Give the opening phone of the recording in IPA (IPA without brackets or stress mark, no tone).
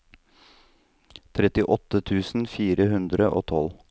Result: t̪ʰ